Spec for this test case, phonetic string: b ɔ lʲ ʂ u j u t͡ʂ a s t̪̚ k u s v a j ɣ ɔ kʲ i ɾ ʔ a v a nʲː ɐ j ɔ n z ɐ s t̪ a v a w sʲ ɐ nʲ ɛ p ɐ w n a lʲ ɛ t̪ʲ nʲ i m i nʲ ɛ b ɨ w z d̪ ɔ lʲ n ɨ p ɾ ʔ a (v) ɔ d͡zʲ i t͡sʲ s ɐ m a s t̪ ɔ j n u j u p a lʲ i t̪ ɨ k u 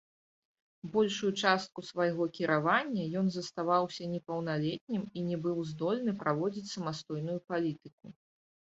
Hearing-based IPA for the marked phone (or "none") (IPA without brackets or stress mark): v